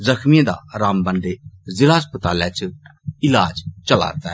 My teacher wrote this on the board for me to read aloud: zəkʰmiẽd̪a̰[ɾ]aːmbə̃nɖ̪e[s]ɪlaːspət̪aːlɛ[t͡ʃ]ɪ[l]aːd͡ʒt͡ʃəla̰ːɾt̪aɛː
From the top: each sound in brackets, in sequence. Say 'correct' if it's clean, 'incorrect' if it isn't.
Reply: correct, incorrect: z, correct, correct

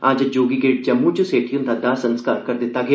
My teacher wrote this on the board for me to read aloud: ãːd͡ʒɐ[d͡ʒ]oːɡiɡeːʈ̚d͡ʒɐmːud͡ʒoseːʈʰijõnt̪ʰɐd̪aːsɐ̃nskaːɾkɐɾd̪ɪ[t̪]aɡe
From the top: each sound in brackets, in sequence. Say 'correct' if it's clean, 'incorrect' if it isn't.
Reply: correct, correct

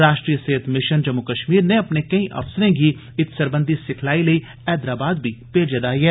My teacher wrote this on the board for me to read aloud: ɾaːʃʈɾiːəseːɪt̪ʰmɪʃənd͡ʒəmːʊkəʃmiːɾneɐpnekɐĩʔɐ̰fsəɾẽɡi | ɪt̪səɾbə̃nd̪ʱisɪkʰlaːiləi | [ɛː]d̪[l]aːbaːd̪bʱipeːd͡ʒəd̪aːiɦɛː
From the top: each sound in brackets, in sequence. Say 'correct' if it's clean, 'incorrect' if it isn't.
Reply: correct, incorrect: ɾ

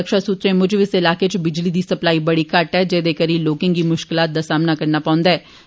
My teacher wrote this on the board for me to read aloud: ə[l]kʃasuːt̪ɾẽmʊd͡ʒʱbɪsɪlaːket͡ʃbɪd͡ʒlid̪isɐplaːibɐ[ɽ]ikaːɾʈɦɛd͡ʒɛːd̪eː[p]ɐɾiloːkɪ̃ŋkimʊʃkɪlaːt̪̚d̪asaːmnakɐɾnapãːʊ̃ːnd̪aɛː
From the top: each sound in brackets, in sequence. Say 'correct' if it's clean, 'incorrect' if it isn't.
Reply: incorrect: none, correct, incorrect: k

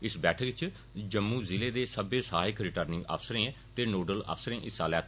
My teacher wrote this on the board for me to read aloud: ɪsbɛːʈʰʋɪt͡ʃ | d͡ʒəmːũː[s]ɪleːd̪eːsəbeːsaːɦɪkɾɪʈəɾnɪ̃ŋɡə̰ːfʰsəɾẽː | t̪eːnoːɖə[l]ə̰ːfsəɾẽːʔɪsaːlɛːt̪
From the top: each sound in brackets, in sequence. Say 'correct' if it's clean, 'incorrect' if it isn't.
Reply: incorrect: z, correct

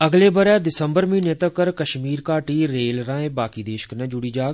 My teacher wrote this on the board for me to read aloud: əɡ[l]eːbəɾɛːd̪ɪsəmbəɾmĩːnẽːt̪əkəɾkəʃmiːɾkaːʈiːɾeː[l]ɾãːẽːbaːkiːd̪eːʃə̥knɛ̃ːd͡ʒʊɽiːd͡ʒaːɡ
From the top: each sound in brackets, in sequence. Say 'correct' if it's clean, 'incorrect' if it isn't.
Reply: correct, correct

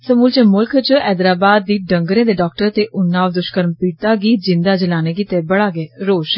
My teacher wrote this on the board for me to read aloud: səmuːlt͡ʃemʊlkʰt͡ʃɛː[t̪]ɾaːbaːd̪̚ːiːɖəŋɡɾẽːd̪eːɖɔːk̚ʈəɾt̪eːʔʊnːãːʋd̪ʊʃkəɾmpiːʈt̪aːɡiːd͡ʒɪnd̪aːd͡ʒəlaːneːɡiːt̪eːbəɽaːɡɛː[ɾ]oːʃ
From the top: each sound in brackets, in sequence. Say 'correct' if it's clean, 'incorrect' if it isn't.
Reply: incorrect: d̪, correct

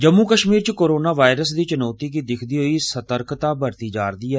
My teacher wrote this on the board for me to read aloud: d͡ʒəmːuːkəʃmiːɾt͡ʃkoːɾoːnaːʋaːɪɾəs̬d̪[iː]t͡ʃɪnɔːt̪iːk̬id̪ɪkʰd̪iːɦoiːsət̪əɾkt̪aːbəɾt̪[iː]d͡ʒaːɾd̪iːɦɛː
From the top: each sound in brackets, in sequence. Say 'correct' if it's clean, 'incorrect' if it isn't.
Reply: correct, correct

